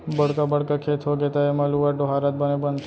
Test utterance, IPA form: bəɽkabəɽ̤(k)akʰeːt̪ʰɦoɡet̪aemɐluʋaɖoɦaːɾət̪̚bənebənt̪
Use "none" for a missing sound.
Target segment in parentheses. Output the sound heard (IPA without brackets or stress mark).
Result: k